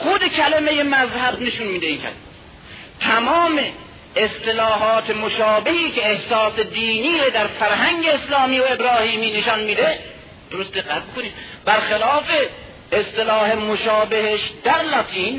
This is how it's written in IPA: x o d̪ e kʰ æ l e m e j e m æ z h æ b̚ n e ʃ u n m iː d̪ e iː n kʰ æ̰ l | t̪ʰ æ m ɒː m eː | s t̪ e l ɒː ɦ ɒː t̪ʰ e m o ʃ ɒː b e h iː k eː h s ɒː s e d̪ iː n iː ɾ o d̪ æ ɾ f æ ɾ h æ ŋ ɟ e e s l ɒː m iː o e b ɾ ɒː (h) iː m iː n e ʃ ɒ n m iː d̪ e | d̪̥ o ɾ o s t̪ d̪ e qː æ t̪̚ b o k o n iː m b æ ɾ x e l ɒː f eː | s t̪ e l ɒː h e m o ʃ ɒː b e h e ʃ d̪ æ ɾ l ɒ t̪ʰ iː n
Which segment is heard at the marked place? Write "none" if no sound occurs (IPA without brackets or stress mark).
h